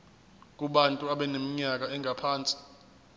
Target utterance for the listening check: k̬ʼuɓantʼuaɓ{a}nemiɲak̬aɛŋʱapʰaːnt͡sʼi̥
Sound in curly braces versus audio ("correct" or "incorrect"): incorrect